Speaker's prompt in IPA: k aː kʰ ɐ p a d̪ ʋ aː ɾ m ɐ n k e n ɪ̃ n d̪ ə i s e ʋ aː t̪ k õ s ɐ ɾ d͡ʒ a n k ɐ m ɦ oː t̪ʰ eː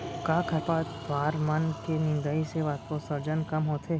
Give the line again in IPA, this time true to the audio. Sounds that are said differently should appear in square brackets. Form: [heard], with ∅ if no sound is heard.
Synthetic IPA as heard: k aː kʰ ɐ p a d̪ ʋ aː ɾ m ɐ n k e n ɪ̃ n d̪ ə i s e ʋ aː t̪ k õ s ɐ ɾ d͡ʒ [ə] n k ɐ m ɦ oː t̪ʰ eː